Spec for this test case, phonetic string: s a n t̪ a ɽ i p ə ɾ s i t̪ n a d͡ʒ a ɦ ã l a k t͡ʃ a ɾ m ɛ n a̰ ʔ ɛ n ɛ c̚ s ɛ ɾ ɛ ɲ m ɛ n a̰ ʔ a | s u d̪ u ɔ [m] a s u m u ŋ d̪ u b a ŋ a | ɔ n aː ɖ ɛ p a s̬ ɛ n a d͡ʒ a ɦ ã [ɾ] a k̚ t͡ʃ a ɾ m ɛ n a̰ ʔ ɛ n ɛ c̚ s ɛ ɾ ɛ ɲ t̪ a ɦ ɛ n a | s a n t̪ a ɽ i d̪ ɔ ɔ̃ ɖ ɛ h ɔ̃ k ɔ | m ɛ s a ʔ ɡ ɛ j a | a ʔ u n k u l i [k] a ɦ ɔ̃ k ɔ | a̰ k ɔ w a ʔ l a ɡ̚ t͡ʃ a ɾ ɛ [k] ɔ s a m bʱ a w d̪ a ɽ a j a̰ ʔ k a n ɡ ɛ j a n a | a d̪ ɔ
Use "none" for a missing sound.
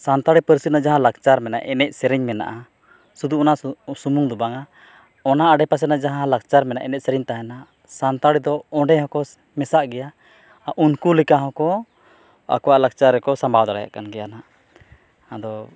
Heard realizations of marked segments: n, l, k, k

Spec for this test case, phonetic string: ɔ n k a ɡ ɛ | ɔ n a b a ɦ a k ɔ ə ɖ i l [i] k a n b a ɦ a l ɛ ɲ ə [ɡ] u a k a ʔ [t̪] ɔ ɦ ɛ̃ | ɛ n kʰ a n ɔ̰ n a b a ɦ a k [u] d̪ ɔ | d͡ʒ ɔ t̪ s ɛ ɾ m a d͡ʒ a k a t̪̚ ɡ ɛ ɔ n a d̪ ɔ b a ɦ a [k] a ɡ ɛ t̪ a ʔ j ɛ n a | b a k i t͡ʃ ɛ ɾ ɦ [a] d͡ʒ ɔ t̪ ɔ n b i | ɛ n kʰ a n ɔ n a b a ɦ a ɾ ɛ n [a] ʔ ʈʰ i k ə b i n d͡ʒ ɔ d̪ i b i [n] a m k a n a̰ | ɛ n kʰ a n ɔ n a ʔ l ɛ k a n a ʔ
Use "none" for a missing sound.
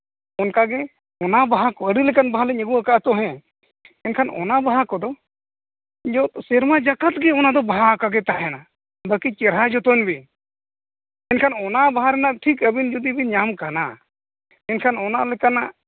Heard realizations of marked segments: ɛ, ɡ, t̪, ɔ, k, a, a, ɲ

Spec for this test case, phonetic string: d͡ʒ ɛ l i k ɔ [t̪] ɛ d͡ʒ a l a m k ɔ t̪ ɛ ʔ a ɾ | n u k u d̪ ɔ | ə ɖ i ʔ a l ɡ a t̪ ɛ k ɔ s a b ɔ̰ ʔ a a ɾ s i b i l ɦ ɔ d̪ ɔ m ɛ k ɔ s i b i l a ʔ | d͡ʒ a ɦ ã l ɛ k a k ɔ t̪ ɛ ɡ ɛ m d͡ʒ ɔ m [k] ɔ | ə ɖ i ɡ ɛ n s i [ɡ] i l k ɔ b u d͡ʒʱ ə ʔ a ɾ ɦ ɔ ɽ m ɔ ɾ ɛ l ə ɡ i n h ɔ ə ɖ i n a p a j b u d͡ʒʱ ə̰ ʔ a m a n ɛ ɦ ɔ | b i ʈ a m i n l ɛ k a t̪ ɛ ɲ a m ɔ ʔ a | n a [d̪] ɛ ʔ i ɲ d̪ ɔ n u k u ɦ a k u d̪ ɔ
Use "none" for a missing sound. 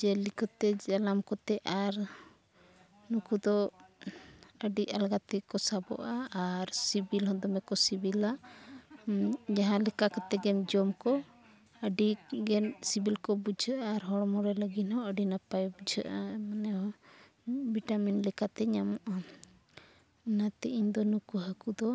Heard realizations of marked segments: t̪, k, b, t̪

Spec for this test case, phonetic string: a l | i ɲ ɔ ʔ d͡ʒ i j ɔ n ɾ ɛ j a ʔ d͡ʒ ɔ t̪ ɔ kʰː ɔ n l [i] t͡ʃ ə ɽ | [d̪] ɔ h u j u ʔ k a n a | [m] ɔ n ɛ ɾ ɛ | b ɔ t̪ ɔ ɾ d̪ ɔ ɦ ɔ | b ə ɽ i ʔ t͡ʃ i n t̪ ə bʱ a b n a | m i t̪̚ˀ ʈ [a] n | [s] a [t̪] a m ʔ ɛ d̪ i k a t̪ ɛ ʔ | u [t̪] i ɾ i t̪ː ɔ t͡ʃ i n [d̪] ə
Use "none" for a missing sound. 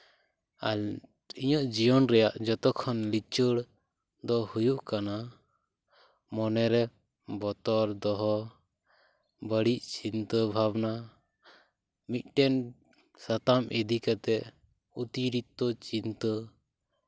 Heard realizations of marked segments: i, d̪, m, ɛ, s, t̪, t̪, t̪

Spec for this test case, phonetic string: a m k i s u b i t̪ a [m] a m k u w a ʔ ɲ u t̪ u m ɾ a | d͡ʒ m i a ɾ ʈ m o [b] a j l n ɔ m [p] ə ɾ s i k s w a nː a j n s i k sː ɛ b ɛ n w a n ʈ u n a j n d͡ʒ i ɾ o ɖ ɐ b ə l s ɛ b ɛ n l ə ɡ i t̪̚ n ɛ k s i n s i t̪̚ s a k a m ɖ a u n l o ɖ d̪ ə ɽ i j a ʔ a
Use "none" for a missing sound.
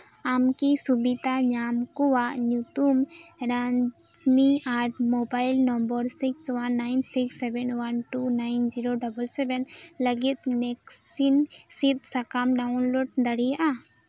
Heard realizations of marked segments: ɲ, b, b

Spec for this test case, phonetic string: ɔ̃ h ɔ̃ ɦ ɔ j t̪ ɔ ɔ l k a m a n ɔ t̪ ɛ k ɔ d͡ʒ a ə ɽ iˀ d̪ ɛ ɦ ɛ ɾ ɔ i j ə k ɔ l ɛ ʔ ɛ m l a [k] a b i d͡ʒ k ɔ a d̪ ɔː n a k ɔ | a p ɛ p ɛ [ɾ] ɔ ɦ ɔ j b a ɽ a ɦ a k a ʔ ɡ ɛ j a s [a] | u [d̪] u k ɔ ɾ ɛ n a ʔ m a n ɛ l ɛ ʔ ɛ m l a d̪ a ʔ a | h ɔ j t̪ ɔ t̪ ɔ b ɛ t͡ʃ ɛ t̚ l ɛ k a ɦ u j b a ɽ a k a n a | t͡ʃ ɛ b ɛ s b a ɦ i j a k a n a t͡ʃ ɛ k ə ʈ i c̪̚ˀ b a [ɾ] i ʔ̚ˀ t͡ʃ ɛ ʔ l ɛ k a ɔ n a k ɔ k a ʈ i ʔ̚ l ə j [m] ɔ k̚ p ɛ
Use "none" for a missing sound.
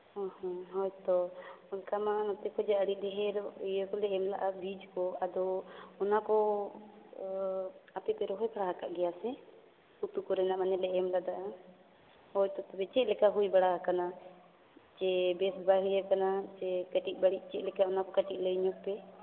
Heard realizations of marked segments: ʔ, ɾ, ɛ, t̪, ɽ, ɲ

